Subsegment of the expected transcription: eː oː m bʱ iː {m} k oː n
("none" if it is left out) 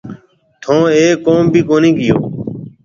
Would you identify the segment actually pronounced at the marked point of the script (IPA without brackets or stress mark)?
none